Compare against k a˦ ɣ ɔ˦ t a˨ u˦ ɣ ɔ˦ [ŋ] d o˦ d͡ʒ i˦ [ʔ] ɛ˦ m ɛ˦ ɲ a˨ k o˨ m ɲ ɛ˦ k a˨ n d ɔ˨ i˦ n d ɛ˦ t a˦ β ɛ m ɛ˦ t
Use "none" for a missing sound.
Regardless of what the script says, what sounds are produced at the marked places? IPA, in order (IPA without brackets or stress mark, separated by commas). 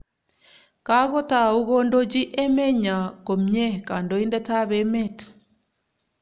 n, ʔ